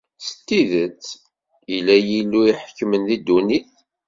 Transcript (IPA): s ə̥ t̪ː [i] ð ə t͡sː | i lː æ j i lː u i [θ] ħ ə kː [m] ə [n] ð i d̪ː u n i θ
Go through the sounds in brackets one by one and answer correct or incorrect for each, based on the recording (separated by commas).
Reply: correct, incorrect, correct, correct